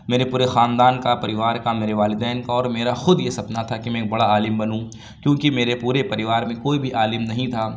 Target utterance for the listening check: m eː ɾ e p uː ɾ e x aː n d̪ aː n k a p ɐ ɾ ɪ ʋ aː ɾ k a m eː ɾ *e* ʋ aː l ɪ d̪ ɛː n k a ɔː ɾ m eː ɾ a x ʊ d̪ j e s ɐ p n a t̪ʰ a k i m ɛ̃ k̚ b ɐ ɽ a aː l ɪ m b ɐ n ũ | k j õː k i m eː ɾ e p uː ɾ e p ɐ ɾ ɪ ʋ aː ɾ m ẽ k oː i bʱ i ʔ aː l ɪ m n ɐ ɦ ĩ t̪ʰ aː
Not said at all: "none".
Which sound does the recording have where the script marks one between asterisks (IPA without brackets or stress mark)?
e